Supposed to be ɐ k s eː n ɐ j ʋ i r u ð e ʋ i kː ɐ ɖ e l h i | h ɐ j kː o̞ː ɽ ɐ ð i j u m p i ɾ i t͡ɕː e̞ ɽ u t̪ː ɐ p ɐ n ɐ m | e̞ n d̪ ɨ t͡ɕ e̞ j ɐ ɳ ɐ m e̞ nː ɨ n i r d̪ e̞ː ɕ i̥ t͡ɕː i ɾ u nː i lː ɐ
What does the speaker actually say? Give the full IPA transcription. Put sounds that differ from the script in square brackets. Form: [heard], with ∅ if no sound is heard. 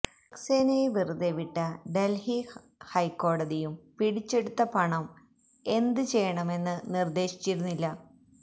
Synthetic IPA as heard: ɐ k s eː n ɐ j ʋ i r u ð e ʋ i [ʈː] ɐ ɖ e l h i | h ɐ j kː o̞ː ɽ ɐ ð i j u m p i [ɽ] i t͡ɕː e̞ ɽ u t̪ː ɐ p ɐ [ɳ] ɐ m | e̞ n d̪ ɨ t͡ɕ e̞ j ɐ ɳ ɐ m e̞ nː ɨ n i r d̪ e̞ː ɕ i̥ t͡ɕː i ɾ u nː i lː ɐ